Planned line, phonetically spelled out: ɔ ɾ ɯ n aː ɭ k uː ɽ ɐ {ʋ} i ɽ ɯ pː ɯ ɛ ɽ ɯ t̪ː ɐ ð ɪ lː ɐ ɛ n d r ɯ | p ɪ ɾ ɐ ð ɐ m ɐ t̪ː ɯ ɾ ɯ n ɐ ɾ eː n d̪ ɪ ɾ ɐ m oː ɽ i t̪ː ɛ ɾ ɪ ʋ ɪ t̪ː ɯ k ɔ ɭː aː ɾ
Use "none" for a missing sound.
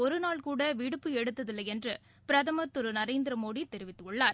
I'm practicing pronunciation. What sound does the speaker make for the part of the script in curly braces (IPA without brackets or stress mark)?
ʋ